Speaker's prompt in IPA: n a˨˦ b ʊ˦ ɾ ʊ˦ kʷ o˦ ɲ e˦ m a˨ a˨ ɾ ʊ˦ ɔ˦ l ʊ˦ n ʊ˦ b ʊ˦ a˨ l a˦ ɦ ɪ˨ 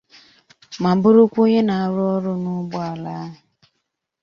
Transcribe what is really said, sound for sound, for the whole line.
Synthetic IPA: m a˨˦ b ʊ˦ ɾ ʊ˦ kʷ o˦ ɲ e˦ n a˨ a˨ ɾ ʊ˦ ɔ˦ ɾ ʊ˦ n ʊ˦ b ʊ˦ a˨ l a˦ ɦ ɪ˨